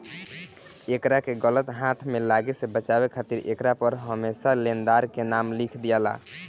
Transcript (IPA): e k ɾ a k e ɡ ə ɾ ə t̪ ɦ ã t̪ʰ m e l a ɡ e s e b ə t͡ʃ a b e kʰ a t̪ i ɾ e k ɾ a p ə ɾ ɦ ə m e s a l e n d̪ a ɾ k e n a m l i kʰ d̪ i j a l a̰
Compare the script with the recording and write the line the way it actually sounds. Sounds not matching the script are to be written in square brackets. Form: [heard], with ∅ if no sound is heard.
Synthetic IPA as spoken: e k ɾ a k e ɡ ə [l] ə t̪ ɦ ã t̪ʰ m e l a ɡ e s e b ə t͡ʃ a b e kʰ a t̪ i ɾ e k ɾ a p ə ɾ ɦ ə m e s a l e n d̪ a ɾ k e n a m l i kʰ d̪ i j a l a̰

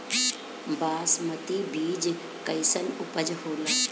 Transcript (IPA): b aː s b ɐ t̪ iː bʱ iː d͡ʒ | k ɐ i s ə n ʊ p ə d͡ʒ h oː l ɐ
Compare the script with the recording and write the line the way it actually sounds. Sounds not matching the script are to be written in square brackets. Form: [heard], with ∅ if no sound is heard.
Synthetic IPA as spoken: b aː s [m] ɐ t̪ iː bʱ iː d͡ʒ | k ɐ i s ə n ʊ p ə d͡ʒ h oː l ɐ

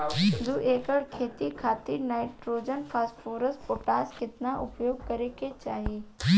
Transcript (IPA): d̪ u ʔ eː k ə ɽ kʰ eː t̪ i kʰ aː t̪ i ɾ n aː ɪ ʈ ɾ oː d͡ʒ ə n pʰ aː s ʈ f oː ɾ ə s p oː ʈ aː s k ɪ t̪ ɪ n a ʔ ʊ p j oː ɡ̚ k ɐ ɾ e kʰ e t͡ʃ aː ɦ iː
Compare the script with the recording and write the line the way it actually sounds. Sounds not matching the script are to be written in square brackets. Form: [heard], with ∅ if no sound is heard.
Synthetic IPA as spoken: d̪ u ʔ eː k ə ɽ kʰ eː t̪ i kʰ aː t̪ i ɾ n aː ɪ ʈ ɾ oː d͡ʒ ə n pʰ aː s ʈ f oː ɾ ə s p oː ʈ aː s k ɪ t̪ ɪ n a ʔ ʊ p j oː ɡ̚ k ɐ ɾ e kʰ e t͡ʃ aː ɦ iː

